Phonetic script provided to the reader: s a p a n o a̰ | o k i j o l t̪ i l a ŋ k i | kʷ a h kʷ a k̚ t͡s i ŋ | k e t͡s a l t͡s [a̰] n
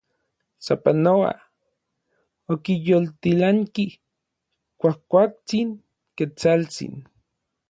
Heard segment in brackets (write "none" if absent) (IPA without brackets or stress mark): ḭ